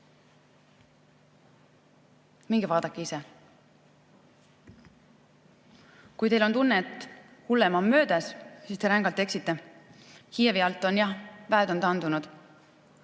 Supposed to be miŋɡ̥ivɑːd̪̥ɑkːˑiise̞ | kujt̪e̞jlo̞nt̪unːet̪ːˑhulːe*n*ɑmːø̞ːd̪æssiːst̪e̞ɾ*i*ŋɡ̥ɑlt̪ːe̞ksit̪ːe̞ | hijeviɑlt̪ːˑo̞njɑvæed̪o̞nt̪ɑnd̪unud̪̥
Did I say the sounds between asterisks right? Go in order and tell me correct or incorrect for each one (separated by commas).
incorrect, incorrect